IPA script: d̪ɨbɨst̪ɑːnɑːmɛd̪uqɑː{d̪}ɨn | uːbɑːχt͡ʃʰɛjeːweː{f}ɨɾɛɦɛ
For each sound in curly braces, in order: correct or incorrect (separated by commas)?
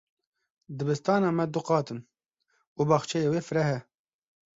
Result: incorrect, correct